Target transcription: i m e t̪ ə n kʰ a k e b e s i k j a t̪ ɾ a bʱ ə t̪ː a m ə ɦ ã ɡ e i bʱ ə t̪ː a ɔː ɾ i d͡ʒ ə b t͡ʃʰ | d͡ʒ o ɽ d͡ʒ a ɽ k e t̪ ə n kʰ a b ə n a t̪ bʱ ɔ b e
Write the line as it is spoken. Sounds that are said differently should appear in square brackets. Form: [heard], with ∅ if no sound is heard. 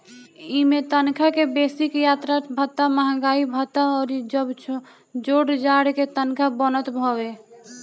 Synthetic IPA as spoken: i m e t̪ ə n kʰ a k e b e s i k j a t̪ ɾ a bʱ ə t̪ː a m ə ɦ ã ɡ [a] i bʱ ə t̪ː a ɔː ɾ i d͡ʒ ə b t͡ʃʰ | d͡ʒ o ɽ d͡ʒ a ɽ k e t̪ ə n kʰ a b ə n [ə] t̪ bʱ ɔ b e